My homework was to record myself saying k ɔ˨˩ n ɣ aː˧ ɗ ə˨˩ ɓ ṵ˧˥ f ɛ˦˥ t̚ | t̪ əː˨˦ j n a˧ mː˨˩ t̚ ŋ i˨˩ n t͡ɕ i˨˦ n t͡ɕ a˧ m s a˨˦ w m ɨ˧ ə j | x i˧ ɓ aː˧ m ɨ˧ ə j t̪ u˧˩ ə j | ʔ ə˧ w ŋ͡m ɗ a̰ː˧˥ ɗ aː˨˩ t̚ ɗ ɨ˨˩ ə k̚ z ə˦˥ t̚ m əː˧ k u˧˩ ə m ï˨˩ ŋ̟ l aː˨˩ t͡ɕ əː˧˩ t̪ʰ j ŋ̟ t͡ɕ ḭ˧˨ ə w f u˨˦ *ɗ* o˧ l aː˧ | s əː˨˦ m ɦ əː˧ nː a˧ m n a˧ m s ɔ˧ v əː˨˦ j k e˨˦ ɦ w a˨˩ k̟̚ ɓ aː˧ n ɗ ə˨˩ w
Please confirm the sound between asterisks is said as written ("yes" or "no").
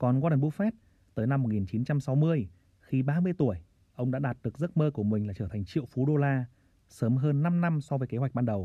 yes